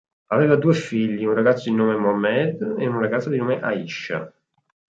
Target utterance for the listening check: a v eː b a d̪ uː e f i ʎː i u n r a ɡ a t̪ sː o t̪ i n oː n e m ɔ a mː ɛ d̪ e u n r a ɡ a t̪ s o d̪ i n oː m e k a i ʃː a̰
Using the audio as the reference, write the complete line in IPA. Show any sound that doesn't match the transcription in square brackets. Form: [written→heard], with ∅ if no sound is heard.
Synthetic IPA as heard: a v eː [b→v] a d̪ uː e f i ʎː i u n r a ɡ a t̪ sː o [t̪→d̪] i n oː [n→m] e m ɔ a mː ɛ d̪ e u n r a ɡ a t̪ s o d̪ i n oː m e [k→ʔ] a i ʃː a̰